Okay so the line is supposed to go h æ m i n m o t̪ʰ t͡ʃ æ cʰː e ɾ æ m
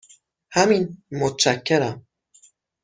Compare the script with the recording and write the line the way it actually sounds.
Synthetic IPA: h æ m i n m o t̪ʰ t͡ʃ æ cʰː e ɾ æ m